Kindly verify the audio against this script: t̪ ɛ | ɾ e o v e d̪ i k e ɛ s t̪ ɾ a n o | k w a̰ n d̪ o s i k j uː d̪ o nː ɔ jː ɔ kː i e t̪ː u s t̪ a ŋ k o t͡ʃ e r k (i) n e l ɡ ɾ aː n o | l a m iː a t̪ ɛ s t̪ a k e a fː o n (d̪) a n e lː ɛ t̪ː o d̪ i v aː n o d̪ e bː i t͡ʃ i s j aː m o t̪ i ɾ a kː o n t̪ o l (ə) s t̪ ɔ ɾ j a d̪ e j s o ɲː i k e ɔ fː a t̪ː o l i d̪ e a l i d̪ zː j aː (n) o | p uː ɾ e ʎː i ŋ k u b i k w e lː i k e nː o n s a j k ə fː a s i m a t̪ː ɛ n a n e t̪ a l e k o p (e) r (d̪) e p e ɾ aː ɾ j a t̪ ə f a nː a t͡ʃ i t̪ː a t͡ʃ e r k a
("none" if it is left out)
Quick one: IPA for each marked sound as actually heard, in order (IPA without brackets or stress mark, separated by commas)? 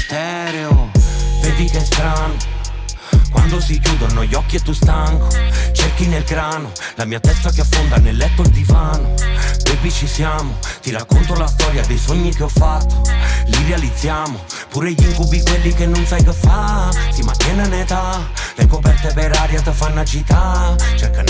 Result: i, d̪, a, m, ɛ, t̪